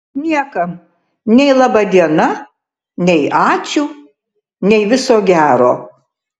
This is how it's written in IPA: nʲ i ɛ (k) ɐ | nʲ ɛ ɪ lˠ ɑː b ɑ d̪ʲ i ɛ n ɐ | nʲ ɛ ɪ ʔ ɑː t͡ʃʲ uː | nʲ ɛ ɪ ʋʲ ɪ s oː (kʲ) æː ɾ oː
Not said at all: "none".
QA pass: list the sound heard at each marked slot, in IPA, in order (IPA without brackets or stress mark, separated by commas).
k, ɡʲ